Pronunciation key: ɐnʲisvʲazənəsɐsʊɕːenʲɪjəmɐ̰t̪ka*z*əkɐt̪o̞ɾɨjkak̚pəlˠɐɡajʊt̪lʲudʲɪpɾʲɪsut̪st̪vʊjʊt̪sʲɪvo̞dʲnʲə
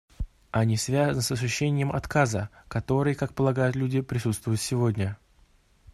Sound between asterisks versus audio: correct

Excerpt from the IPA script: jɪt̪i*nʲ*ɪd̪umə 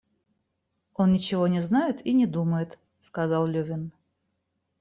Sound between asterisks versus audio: correct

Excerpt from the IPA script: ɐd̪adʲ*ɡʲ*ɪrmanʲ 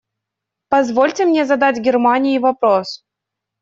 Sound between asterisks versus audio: correct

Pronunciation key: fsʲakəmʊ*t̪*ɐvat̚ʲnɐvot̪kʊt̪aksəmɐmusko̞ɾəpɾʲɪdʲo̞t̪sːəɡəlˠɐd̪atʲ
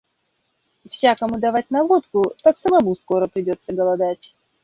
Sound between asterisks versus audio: incorrect: d̪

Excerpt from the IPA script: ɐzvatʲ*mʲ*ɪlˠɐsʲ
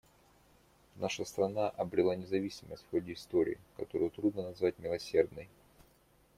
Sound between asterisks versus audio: correct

